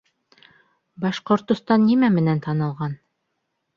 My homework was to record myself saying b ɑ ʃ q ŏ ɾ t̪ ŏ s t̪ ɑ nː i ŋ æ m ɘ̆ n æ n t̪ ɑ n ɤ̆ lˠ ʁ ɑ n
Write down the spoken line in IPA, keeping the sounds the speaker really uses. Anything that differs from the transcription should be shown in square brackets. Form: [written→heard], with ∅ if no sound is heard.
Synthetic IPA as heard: b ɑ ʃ q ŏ ɾ t̪ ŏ s t̪ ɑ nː i [ŋ→m] æ m ɘ̆ n æ n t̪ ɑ n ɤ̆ lˠ ʁ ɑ n